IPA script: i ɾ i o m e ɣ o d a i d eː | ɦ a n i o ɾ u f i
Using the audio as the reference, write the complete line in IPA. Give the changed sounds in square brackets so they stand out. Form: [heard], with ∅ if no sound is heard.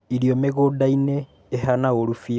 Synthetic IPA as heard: i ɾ i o m e ɣ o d a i [n] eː | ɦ a n [a] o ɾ u f i